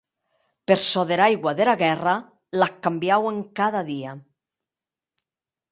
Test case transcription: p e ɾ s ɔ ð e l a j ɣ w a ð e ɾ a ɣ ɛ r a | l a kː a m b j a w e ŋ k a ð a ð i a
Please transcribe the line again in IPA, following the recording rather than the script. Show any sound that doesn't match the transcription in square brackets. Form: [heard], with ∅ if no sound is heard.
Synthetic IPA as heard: p e ɾ s ɔ ð e [ɾ] a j ɣ w a ð e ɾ a ɣ ɛ r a | l a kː a m b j a w e ŋ k a ð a ð i a